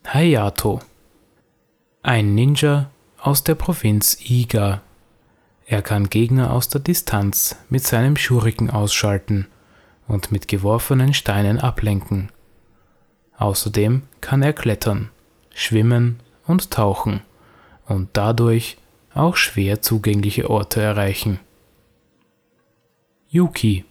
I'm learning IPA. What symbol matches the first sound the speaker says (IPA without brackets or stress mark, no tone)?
h